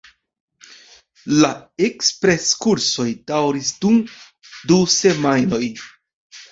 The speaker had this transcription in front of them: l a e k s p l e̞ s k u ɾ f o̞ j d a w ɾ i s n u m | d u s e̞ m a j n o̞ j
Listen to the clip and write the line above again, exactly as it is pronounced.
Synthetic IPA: l a e k s p ɾ e̞ s k u ɾ s o̞ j d a w ɾ i s d u m | d u s e̞ m a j n o̞ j